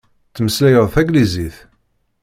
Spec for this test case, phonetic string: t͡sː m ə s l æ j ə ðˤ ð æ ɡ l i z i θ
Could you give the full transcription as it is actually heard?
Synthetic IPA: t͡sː m ə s l æ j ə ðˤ θ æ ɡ l i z i θ